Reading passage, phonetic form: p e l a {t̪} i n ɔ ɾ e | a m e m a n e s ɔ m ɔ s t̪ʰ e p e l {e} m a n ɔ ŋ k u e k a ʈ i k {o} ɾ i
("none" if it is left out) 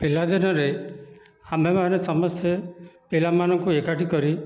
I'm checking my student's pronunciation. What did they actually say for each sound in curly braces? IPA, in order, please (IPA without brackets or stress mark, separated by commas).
d̪, a, ɔ